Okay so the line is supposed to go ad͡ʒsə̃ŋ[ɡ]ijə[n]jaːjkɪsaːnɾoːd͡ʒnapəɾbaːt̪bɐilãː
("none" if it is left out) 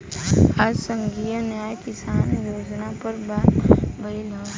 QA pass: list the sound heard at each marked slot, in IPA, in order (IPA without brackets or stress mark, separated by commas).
ɡ, n